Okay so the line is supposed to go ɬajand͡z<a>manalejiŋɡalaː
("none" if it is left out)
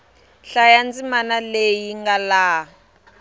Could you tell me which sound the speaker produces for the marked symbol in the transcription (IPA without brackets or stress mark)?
i